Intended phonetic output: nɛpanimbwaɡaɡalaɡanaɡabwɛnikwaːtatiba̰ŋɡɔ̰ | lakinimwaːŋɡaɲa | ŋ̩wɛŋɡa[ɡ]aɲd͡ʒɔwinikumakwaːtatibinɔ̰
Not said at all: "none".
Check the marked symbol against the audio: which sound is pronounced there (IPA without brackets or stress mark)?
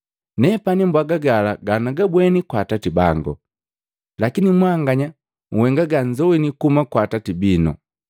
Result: ɡ